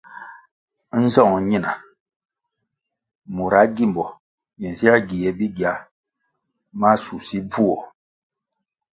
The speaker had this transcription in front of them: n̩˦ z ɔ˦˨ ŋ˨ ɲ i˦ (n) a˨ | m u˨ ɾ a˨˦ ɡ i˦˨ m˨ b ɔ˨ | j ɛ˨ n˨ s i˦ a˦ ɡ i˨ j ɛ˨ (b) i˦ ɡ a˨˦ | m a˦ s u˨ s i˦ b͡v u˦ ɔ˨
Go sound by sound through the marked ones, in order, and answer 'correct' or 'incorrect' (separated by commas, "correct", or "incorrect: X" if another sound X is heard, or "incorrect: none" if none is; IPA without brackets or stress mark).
correct, correct